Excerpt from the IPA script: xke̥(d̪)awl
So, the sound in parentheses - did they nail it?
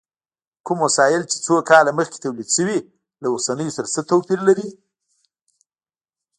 no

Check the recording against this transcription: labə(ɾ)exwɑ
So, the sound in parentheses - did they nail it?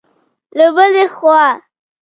no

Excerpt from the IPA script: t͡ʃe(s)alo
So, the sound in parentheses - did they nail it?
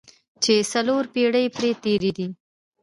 yes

